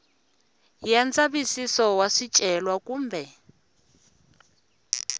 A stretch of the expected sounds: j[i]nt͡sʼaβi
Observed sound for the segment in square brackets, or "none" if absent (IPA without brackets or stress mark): a